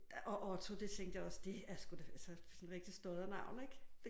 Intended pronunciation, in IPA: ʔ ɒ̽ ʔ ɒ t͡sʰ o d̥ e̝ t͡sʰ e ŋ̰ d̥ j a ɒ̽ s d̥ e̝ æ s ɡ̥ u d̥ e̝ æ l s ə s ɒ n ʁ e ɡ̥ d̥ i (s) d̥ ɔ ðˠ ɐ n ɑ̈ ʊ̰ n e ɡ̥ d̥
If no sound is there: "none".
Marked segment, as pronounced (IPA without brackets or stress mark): s